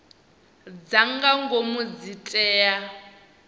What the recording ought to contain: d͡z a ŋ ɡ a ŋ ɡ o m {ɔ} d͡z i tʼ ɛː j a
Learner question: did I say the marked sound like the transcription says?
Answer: no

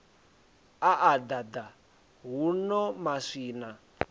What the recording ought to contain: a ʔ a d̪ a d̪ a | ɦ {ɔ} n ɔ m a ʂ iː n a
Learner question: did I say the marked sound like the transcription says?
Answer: no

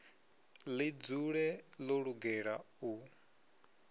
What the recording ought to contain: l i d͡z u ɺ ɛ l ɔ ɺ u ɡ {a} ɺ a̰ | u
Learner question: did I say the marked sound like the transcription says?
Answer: no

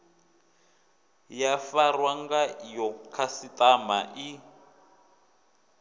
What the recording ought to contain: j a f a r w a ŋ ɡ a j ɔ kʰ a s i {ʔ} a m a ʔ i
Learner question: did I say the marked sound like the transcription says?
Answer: no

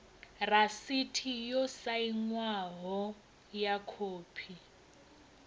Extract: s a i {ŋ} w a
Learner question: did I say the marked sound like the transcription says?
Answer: yes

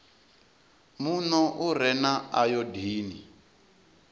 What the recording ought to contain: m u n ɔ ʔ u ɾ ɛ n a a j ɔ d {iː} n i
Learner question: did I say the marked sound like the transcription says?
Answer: yes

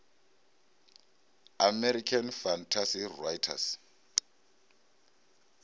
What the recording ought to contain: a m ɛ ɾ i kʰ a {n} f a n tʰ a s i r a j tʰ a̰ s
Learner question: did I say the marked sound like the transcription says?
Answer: yes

